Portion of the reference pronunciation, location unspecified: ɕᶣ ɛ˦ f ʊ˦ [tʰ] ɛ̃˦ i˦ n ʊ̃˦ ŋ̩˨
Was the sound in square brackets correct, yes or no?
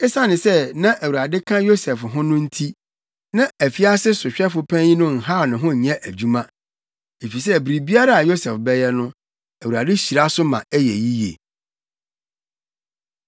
no